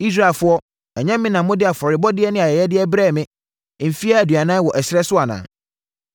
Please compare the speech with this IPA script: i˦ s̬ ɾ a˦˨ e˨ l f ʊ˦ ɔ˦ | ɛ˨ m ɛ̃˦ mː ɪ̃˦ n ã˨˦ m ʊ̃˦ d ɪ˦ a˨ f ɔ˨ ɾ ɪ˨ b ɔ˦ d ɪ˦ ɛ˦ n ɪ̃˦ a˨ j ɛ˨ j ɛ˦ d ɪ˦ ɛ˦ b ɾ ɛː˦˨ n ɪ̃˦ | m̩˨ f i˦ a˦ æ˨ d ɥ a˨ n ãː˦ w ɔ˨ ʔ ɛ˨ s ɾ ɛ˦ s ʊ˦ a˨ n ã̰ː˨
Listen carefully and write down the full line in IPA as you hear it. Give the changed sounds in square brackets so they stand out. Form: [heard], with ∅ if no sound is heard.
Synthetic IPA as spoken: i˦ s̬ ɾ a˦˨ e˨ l f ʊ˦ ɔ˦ | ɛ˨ [ɲ] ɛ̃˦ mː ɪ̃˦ n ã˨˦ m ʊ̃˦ d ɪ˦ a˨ f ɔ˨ ɾ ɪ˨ b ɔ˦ d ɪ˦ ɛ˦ n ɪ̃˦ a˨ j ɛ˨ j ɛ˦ d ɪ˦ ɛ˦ b ɾ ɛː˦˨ [m] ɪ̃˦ | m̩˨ f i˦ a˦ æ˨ d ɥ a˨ n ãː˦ w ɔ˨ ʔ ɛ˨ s ɾ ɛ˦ s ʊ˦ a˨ n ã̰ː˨